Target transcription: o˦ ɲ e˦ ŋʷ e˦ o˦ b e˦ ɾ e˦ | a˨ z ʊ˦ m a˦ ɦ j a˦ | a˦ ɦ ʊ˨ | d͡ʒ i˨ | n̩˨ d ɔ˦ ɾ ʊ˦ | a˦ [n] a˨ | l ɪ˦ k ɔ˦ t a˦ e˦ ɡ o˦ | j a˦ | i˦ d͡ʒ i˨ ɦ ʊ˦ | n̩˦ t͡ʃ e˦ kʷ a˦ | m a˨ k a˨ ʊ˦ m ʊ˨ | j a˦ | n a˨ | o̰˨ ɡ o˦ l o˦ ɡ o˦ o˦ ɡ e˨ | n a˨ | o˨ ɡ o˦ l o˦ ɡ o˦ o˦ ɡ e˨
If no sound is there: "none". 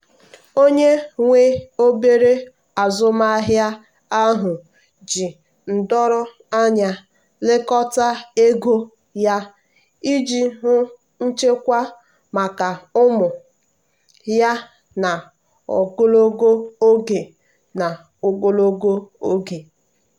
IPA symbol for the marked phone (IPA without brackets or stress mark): ɲ